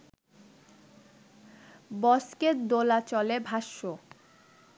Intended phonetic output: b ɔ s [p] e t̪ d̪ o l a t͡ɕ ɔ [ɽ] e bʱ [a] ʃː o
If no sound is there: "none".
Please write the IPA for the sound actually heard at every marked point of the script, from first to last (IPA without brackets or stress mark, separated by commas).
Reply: k, l, a